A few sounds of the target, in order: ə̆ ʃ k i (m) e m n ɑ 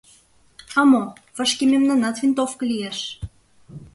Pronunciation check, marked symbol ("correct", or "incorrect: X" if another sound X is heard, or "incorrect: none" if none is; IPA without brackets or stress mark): correct